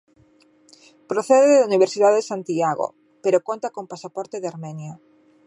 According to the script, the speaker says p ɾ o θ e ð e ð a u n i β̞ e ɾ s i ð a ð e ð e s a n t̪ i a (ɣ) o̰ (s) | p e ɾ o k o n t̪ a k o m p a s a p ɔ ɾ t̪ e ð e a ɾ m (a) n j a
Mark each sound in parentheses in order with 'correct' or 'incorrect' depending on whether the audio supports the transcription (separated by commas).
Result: correct, incorrect, incorrect